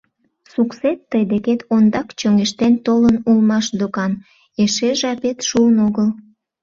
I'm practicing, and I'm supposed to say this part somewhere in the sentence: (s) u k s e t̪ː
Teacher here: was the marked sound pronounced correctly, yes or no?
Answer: yes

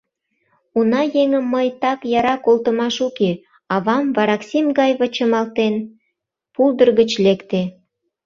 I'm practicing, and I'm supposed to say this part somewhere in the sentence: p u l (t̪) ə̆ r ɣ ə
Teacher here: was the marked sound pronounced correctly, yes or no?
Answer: no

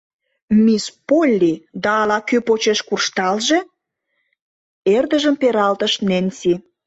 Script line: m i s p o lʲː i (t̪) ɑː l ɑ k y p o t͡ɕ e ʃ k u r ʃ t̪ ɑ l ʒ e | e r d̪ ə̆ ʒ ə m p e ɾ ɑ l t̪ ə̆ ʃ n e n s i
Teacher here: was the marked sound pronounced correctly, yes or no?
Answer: no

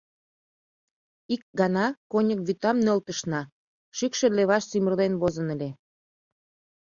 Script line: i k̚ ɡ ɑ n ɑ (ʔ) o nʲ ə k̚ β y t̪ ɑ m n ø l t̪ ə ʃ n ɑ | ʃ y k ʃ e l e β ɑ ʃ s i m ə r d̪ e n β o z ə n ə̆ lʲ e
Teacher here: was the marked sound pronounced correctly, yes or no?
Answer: no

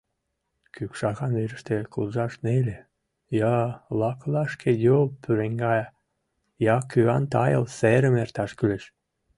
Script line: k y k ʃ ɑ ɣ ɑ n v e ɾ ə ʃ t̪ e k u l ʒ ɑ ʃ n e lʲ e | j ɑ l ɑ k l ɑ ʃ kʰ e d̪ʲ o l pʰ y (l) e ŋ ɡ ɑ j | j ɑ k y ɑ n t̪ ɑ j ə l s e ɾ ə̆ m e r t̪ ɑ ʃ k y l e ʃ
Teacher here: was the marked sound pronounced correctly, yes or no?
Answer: no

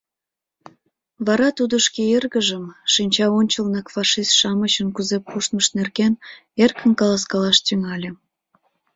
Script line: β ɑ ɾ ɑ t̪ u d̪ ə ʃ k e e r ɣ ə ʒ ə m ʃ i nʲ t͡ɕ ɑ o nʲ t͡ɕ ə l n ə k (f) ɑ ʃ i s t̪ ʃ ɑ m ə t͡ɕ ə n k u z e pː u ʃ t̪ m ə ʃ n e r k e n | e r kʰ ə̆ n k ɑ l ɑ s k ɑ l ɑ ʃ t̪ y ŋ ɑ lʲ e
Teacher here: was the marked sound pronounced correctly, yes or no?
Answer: yes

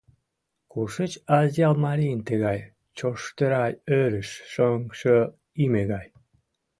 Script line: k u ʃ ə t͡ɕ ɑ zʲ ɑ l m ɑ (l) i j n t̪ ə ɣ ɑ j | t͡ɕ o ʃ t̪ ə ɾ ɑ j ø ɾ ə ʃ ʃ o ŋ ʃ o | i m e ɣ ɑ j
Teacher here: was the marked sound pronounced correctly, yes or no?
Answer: no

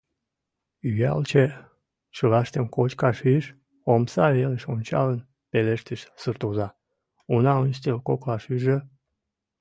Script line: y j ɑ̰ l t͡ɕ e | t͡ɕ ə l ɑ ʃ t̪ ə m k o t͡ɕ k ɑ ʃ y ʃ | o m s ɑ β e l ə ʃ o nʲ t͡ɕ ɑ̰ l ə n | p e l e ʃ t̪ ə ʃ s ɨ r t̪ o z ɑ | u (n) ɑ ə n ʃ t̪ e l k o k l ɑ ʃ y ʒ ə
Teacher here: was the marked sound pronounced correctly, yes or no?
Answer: yes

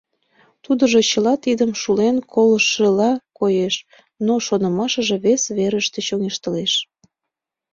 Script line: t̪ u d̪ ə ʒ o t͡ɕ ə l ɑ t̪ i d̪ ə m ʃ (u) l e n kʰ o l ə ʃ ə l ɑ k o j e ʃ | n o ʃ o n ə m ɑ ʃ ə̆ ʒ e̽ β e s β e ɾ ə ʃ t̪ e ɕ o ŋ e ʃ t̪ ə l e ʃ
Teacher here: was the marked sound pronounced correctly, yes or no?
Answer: yes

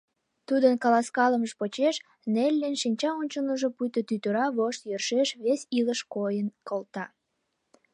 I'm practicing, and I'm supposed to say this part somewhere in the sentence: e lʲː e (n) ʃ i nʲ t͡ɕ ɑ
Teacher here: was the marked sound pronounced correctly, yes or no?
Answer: yes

